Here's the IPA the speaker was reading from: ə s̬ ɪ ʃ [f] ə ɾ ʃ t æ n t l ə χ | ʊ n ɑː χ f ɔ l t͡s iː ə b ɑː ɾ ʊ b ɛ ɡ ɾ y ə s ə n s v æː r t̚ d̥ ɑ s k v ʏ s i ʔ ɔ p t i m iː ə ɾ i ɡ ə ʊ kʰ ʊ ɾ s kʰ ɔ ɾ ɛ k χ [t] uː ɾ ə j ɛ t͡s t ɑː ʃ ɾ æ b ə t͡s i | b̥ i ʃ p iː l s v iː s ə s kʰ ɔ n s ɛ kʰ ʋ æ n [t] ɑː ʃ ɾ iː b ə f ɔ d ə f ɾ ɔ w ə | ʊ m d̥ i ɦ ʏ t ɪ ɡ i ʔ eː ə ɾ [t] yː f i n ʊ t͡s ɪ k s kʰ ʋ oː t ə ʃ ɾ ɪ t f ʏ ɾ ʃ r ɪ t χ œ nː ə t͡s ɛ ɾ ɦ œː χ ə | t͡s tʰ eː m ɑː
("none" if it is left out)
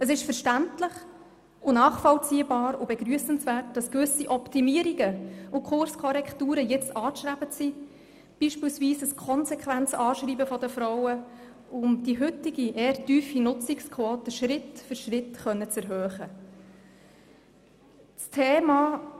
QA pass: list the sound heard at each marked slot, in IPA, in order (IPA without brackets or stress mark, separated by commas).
f, t, t͡s, t